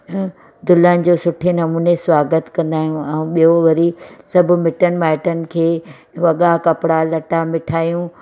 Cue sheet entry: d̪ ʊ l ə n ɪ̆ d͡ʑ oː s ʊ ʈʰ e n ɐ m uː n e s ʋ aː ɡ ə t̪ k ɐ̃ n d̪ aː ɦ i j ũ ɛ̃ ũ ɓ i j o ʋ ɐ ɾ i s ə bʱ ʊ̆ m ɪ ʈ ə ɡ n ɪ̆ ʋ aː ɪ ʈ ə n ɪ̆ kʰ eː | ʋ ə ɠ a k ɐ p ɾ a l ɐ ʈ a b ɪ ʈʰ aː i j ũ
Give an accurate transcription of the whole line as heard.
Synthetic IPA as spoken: d̪ ʊ l ə n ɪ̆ d͡ʑ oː s ʊ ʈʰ e n ɐ m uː n e s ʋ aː ɡ ə t̪ k ɐ̃ n d̪ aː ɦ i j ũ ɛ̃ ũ ɓ i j o ʋ ɐ ɾ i s ɐ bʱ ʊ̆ m ɪ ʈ ə n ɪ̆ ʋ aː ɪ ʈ ə n ɪ̆ kʰ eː | ʋ ɐ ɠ a k ɐ p ɽ a l ɐ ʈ a m ɪ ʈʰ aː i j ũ